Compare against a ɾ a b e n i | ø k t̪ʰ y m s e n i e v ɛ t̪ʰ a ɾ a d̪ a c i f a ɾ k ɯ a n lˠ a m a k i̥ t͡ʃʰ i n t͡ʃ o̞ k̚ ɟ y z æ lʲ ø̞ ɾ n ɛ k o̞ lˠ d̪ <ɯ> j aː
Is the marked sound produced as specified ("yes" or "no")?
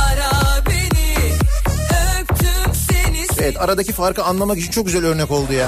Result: no